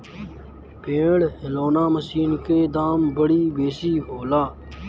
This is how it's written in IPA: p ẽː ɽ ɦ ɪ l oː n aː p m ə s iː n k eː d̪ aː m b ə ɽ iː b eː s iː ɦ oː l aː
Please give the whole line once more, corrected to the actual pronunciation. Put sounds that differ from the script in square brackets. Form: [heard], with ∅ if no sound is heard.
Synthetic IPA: p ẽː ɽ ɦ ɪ l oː n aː [∅] m ə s iː n k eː d̪ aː m b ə ɽ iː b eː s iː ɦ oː l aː